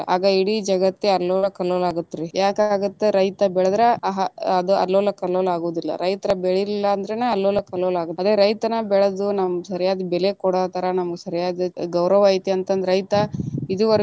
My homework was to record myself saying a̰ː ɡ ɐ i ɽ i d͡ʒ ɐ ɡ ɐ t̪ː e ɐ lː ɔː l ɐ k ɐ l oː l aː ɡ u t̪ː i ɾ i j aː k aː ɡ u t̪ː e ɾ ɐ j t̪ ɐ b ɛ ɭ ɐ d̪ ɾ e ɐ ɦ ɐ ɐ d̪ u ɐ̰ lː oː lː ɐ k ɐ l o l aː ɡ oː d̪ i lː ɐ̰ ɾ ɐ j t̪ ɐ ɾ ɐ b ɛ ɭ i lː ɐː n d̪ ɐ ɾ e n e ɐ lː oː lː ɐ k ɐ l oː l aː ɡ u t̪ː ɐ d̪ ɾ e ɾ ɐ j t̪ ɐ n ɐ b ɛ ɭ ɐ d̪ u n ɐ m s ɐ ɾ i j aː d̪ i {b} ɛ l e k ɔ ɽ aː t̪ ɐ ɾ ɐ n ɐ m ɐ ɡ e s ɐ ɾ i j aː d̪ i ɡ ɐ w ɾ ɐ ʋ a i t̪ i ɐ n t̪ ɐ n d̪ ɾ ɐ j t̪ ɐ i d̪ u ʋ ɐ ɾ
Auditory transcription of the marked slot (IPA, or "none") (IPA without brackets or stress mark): b